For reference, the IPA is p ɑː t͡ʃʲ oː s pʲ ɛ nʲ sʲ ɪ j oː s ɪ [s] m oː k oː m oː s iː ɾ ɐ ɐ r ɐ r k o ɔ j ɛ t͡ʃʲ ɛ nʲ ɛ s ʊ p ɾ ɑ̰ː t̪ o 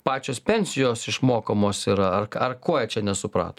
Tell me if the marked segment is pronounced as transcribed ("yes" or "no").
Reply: no